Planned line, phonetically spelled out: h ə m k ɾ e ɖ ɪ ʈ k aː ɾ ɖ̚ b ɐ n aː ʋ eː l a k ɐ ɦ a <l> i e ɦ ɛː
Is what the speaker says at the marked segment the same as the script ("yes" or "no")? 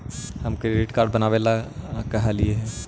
yes